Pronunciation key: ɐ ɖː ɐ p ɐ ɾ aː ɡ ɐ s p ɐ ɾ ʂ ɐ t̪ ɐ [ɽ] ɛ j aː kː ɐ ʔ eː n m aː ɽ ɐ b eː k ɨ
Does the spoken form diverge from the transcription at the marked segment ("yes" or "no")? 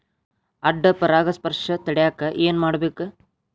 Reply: no